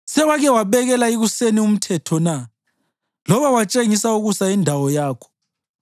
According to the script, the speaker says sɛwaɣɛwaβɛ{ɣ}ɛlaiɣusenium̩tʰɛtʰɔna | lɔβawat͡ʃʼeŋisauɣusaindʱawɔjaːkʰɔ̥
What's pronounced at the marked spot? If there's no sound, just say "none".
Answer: ɣ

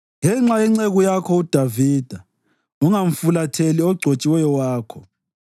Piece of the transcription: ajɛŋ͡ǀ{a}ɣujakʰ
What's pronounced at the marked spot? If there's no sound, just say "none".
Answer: e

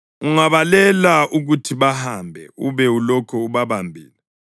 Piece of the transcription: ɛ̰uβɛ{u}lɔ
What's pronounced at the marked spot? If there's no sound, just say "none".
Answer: u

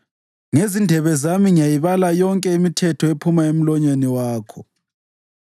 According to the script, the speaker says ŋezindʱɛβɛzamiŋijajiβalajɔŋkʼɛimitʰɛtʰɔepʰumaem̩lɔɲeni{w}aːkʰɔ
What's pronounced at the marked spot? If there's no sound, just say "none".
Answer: w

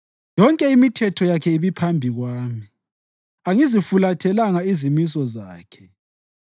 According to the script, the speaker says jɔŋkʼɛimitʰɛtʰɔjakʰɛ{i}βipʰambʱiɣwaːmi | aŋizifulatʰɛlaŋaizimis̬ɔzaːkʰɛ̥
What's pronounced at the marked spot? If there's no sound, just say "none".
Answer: i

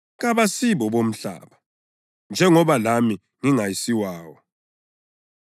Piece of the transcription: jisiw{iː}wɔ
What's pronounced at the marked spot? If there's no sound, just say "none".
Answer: aː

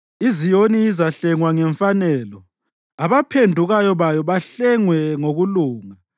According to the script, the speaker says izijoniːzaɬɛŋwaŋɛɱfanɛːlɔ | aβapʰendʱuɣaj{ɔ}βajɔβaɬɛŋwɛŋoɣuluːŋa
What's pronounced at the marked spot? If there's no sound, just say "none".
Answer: ɔ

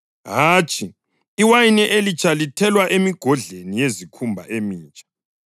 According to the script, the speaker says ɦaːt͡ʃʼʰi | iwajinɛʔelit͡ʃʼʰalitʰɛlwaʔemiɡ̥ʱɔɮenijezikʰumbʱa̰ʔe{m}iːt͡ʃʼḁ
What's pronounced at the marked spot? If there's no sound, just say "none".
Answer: m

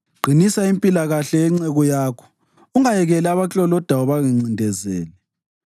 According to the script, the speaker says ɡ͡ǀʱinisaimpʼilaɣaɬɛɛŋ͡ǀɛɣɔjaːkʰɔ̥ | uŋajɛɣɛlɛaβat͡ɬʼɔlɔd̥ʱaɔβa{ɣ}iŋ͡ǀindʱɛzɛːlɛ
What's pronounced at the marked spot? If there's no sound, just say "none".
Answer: ɣ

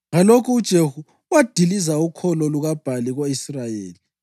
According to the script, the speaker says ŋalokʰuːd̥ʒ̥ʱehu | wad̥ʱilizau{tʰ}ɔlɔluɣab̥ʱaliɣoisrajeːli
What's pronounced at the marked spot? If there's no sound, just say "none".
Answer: kʰ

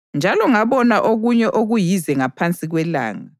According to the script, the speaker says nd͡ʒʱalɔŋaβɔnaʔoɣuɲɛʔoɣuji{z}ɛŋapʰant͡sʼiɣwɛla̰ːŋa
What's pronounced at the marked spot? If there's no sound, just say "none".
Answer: z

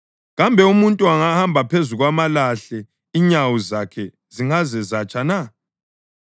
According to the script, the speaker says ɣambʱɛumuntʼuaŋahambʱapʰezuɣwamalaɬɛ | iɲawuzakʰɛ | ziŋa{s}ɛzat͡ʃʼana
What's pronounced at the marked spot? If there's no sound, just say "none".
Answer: z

